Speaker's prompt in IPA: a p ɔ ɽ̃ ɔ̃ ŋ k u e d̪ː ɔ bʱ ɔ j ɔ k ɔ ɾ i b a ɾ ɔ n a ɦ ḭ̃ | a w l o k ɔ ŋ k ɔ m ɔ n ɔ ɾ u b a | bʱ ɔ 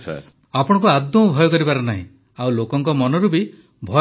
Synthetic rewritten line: a p ɔ ɽ̃ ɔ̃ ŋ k u a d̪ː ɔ bʱ ɔ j ɔ k ɔ ɾ i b a ɾ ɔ n a ɦ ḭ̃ | a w l o k ɔ ŋ k ɔ m ɔ n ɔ ɾ u b i | bʱ ɔ